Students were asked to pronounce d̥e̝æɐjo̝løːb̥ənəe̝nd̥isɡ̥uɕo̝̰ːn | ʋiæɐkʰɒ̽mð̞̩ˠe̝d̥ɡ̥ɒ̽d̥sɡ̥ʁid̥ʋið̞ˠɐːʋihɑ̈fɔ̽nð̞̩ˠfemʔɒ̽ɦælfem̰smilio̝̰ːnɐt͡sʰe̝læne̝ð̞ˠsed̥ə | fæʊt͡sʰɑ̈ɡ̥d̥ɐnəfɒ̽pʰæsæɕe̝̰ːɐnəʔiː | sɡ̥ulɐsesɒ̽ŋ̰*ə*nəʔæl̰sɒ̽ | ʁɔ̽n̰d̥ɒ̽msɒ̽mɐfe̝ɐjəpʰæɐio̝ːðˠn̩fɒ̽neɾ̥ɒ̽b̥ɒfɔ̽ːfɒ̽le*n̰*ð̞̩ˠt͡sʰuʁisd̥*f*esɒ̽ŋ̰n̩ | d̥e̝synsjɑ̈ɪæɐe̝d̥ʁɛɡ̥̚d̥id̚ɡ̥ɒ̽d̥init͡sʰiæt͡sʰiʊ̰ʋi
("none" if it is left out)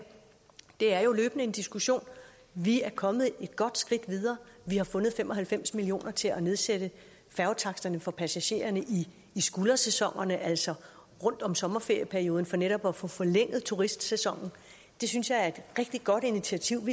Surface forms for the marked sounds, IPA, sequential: ɐ, ŋ̰, s

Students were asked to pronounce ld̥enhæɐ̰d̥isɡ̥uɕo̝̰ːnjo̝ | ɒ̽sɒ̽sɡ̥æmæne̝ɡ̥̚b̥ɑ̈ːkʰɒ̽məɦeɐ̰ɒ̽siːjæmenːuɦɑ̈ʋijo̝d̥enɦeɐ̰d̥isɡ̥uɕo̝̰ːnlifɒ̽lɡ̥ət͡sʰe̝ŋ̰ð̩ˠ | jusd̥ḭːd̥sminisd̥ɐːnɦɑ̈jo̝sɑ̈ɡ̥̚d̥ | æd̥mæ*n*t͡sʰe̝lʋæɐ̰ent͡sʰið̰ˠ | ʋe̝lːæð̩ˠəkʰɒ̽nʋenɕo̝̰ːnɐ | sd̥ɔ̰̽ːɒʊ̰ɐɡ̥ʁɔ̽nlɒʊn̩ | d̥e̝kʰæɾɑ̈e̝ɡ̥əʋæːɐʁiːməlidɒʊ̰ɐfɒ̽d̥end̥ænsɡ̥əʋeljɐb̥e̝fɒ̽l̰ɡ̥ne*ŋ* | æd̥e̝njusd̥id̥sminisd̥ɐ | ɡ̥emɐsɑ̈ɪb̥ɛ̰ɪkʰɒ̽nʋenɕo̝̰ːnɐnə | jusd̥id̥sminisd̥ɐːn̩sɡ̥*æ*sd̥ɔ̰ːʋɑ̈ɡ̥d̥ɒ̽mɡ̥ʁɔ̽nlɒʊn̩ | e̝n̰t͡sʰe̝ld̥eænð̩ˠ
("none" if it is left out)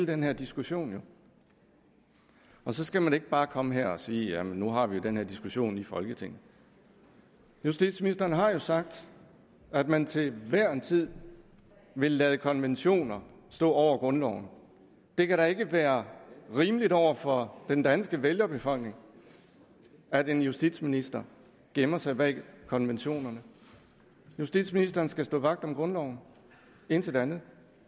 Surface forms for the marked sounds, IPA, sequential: n, ŋ, æ

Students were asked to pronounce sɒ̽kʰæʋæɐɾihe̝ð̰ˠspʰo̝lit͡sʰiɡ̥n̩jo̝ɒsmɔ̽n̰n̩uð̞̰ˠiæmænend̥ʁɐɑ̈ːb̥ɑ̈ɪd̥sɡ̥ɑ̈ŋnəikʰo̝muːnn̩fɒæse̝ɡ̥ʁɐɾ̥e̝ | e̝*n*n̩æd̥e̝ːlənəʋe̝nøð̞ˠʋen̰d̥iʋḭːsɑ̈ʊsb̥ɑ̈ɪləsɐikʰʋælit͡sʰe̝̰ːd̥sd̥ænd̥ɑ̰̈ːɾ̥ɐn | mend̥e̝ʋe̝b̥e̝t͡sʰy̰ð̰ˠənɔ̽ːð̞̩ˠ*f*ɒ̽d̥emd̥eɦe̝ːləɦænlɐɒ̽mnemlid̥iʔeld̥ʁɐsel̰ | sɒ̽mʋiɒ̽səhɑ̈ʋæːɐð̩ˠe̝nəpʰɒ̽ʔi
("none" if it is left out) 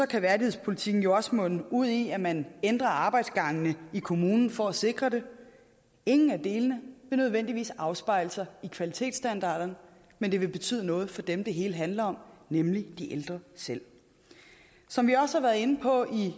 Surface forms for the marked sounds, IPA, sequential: ŋ, f

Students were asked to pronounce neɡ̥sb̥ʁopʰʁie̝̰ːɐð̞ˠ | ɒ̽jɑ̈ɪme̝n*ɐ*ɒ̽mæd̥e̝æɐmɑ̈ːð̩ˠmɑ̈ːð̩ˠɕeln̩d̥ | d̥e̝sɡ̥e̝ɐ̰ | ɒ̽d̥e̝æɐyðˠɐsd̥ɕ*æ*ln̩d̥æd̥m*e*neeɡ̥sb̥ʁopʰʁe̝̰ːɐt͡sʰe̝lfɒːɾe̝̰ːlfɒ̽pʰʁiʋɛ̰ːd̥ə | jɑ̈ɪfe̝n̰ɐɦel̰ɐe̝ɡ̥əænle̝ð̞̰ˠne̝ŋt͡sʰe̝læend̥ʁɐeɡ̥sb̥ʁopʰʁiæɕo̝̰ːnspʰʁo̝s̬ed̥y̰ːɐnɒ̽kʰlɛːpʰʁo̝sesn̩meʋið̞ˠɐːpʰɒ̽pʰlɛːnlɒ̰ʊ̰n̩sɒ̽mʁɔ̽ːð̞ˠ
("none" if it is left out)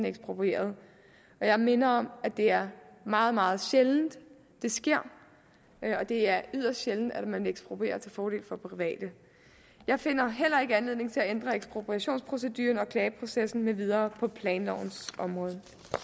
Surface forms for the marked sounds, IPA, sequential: ɐ, e, æ

